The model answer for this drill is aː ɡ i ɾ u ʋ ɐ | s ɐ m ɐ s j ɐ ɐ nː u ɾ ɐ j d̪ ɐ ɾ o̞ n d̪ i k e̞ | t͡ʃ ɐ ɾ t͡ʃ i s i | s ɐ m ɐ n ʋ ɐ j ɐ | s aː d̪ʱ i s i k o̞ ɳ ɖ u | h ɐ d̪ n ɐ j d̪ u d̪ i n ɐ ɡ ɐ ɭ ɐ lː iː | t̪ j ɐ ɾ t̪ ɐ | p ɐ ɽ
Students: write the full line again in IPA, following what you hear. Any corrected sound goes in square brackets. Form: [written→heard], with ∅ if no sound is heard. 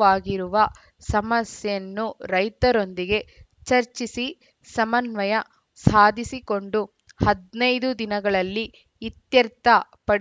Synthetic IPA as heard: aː ɡ i ɾ u ʋ ɐ | s ɐ m ɐ s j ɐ ɐ nː u ɾ ɐ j [d̪→t̪] ɐ ɾ o̞ n d̪ i [k→ɡ] e̞ | t͡ʃ ɐ ɾ t͡ʃ i s i | s ɐ m ɐ n ʋ ɐ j ɐ | s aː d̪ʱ i s i k o̞ ɳ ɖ u | h ɐ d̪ n ɐ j d̪ u d̪ i n ɐ ɡ ɐ ɭ ɐ lː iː | t̪ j ɐ ɾ t̪ ɐ | p ɐ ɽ